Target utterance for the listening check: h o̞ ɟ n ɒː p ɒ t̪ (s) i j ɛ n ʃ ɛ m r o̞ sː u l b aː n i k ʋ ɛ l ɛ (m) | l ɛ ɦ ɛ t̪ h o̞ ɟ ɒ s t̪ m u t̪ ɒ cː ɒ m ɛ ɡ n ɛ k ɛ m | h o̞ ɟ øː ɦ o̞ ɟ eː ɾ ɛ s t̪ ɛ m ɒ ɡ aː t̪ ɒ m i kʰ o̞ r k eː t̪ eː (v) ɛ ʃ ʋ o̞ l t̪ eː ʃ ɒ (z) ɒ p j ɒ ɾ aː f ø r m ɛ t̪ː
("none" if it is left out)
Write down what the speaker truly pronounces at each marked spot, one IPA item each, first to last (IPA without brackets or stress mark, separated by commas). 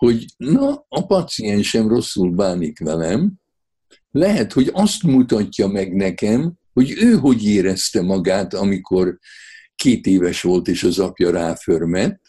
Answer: s, m, v, z